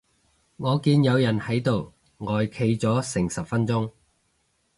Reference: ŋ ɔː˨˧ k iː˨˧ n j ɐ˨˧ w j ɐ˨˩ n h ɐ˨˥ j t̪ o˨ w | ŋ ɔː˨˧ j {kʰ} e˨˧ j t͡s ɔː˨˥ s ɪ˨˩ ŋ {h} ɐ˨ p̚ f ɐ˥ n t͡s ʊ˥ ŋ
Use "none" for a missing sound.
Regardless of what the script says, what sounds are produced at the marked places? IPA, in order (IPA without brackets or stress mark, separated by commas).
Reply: kʰ, s